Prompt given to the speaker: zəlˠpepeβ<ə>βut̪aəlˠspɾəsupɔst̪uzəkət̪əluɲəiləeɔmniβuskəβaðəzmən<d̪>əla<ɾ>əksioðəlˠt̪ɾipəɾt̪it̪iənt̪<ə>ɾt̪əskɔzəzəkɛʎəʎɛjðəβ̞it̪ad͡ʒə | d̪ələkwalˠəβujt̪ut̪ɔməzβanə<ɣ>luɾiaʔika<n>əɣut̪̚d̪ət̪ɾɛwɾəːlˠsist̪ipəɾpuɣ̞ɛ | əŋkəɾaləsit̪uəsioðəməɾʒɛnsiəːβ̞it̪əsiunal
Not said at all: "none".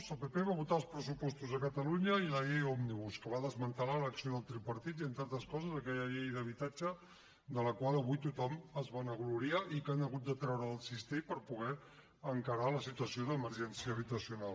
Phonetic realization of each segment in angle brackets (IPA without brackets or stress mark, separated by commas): a, t̪, l, a, ɣ, n